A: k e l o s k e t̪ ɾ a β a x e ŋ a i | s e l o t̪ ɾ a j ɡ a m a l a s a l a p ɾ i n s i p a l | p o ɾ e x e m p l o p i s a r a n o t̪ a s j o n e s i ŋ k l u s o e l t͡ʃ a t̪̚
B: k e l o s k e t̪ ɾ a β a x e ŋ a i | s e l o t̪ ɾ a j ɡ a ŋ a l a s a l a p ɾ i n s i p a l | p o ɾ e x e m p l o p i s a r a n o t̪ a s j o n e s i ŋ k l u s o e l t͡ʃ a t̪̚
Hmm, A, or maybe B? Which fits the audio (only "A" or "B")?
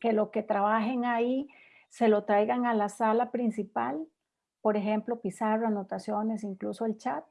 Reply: B